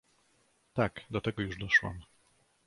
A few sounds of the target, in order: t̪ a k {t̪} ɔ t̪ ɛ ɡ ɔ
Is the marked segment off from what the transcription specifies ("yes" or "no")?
yes